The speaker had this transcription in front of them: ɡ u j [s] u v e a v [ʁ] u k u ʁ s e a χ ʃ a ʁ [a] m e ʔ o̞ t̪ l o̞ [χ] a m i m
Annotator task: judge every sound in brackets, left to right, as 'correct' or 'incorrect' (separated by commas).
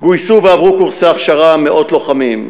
correct, correct, correct, correct